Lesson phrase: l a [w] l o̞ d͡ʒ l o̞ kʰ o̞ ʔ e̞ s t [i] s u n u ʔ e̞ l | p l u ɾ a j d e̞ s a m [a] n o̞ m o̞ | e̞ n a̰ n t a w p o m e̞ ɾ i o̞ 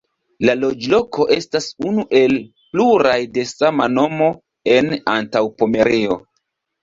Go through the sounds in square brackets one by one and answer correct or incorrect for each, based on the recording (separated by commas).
incorrect, incorrect, correct